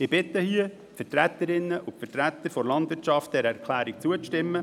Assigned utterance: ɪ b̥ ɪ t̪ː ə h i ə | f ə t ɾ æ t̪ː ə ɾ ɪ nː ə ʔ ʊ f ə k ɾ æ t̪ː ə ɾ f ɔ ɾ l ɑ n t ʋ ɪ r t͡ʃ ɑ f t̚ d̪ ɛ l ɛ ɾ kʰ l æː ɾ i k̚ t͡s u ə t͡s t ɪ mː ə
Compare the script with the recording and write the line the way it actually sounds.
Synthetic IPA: ɪ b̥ ɪ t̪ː ə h i ə | f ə t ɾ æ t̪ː ə ɾ ɪ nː ə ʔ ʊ f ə t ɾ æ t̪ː ə ɾ f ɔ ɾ l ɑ n d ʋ ɪ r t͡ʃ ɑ f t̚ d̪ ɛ ɾ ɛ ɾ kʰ l æː ɾ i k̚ t͡s u ə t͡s t ɪ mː ə

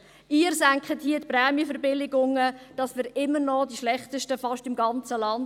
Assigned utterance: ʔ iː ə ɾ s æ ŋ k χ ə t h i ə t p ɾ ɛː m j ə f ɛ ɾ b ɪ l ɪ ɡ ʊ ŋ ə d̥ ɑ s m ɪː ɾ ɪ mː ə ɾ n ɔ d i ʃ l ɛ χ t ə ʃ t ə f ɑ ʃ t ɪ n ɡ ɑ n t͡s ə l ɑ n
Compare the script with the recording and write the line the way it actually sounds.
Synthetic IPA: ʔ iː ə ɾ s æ ŋ k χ ə t h i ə t p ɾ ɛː m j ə f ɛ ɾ b ɪ l ɪ ɡ ʊ ŋ ə d̥ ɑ s m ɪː ɾ ɪ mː ə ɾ n ɔ d i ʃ l ɛ χ t ə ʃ t ə f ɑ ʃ t ɪ m ɡ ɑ n t͡s ə l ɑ n

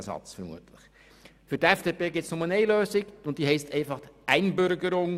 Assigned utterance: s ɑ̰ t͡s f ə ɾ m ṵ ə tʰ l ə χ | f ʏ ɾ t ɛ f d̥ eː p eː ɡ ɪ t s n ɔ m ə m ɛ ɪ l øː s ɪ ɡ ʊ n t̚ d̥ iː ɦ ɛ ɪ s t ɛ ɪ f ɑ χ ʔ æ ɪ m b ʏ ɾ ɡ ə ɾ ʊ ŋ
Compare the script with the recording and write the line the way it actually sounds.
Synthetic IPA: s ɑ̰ t͡s f ə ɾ m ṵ ə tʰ l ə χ | f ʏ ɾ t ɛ f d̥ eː p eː ɡ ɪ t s n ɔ m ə n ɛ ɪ l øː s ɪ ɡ ʊ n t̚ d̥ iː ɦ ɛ ɪ s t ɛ ɪ f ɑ χ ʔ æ ɪ n b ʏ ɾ ɡ ə ɾ ʊ ŋ

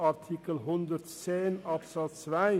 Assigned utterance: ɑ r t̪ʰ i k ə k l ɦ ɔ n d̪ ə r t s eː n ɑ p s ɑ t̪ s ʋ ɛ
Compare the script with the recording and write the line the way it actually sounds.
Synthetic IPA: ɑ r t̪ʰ i k ə l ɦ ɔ n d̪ ə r t s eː n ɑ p s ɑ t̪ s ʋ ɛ

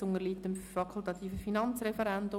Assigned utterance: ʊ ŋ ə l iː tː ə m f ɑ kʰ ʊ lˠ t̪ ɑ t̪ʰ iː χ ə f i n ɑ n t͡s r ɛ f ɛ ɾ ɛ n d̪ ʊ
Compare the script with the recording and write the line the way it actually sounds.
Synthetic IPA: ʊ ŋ ə l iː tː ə m f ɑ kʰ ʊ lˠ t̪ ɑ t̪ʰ iː f ə f i n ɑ n t͡s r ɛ f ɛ ɾ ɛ n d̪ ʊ

